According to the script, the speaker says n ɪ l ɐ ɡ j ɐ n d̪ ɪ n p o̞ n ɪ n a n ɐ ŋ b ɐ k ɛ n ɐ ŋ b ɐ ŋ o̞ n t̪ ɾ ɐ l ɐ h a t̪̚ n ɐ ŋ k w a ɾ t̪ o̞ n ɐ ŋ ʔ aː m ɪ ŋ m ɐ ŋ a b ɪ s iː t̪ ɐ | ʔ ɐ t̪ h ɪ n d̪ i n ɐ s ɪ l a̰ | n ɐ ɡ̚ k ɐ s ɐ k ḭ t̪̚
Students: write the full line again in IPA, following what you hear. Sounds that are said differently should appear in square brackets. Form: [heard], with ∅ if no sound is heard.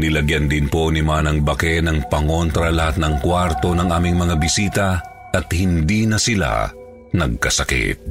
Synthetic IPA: n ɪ l ɐ ɡ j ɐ n d̪ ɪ n p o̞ n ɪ [m] a n ɐ ŋ b ɐ k ɛ n ɐ ŋ [p] ɐ ŋ o̞ n t̪ ɾ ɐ l ɐ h a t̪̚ n ɐ ŋ k w a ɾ t̪ o̞ n ɐ ŋ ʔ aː m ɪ ŋ m ɐ ŋ a b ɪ s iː t̪ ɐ | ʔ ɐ t̪ h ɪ n d̪ i n ɐ s ɪ l a̰ | n ɐ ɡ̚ k ɐ s ɐ k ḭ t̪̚